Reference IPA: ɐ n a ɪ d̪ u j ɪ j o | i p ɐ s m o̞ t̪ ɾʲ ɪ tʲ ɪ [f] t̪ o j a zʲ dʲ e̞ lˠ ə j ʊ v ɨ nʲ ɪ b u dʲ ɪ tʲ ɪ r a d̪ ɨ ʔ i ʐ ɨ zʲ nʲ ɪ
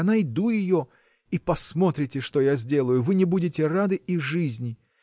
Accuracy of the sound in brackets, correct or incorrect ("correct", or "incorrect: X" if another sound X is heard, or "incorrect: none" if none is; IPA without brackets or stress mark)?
incorrect: ʂ